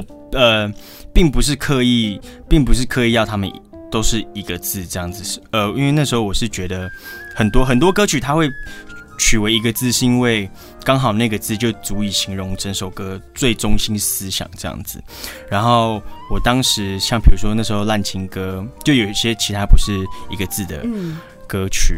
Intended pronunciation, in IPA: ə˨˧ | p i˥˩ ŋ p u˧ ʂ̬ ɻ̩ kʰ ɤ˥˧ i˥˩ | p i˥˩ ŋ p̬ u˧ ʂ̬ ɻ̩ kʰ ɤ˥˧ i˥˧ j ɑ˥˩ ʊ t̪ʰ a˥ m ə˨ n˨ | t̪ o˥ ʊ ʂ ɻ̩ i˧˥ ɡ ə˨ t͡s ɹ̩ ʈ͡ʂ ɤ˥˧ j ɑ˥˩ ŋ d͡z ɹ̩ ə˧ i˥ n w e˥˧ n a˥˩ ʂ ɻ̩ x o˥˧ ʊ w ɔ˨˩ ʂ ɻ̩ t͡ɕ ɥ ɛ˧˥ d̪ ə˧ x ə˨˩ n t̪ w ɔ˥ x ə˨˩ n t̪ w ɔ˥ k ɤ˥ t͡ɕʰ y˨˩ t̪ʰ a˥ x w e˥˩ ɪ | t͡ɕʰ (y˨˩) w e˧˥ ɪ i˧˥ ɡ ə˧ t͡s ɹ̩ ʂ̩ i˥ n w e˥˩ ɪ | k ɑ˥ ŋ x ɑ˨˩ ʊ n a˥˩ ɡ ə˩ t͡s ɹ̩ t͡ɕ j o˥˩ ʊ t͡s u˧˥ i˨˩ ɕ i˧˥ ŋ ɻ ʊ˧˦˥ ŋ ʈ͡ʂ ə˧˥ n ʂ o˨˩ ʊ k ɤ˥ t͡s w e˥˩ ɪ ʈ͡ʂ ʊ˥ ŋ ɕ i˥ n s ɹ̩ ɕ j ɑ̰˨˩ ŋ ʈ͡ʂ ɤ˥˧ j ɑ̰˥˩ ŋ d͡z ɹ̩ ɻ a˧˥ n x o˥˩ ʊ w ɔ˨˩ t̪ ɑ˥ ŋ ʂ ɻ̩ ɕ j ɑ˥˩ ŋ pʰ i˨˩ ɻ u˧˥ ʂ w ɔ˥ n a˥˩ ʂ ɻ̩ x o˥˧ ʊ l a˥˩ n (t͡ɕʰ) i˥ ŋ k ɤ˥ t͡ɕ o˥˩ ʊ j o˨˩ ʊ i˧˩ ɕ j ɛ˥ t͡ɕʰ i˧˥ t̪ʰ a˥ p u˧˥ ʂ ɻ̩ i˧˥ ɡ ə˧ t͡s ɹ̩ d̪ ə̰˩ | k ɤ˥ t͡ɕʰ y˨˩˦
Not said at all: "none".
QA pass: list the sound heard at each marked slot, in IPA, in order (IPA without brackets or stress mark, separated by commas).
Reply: y˨˩, t͡ɕʰ